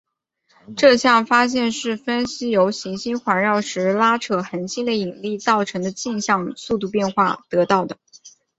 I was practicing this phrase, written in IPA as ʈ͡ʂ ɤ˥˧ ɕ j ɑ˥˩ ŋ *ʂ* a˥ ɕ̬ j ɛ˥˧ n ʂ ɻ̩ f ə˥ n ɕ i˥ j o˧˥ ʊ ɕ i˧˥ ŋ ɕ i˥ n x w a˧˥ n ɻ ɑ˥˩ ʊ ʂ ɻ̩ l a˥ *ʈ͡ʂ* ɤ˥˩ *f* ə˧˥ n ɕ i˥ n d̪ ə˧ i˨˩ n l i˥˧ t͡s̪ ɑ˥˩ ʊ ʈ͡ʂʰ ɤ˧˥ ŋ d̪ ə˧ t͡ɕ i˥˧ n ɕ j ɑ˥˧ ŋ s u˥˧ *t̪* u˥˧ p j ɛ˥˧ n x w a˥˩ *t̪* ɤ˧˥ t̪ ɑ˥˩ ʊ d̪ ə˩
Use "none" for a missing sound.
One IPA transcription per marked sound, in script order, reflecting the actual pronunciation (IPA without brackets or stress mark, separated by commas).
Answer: f, ʈ͡ʂʰ, x, t̪, t̪